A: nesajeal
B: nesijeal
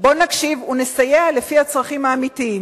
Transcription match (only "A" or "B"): A